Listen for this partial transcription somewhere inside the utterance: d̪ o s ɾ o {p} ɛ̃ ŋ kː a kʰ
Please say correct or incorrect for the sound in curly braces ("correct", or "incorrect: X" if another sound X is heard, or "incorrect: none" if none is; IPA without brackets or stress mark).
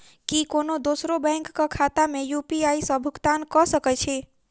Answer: incorrect: b